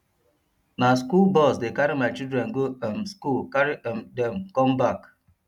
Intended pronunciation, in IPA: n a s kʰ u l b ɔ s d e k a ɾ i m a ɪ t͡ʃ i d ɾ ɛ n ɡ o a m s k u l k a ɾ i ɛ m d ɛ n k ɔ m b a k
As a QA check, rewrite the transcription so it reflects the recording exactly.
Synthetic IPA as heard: n a s k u l b ɔ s d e k a ɾ i m a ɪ t͡ʃ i d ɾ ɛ n ɡ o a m s k u l k a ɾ i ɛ m d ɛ m k ɔ m b a k